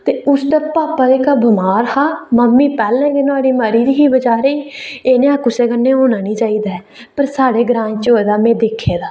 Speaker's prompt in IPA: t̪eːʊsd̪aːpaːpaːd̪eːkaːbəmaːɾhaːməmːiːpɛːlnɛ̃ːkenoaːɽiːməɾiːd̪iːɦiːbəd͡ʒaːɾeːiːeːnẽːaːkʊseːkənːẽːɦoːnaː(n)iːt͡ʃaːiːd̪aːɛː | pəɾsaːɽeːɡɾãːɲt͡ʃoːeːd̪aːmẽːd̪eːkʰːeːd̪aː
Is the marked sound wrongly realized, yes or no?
no